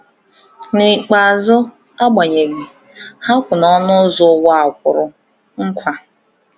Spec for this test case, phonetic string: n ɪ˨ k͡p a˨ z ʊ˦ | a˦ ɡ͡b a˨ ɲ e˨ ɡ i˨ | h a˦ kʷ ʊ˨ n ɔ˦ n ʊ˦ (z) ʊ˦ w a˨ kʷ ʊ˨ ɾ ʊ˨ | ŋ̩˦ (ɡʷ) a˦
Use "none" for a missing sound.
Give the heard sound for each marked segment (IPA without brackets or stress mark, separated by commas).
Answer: z, kʷ